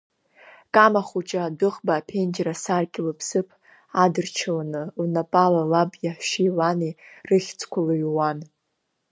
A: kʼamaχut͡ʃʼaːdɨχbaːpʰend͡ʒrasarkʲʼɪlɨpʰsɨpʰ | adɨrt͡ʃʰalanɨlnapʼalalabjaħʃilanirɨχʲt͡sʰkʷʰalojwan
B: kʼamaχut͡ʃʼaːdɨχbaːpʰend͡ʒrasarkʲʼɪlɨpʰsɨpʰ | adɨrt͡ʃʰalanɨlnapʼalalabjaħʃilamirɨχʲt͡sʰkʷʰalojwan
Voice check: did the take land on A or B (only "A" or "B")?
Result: A